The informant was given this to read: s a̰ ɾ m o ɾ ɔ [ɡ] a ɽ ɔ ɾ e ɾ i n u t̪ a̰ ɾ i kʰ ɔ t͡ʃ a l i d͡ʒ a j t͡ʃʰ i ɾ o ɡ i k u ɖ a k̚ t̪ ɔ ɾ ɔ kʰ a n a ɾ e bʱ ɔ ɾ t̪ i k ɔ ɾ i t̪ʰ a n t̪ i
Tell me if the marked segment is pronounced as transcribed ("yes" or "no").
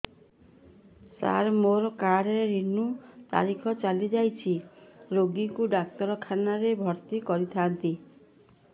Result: no